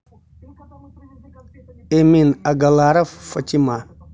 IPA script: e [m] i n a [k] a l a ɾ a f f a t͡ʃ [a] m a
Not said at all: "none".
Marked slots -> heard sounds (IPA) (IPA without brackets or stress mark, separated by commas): m, ɡ, i